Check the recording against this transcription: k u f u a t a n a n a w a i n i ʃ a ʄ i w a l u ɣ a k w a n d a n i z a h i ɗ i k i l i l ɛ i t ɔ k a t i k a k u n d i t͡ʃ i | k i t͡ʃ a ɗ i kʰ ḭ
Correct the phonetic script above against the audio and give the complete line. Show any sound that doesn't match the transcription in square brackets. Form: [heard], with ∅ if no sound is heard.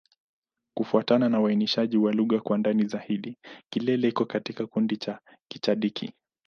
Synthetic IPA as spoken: k u f u a t a n a n a w a i n i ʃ a ʄ i w a l u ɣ a k w a n d a n i z a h i ɗ i k i l [ɛ] l ɛ i [k] ɔ k a t i k a k u n d i t͡ʃ [a] | k i t͡ʃ a ɗ i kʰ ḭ